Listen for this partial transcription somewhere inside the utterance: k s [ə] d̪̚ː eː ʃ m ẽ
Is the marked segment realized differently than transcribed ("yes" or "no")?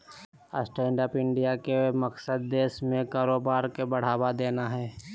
no